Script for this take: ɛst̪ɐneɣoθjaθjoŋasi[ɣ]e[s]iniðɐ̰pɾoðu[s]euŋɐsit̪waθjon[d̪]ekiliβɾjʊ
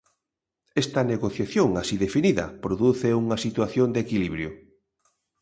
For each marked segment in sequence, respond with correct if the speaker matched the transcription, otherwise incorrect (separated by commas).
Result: incorrect, incorrect, incorrect, correct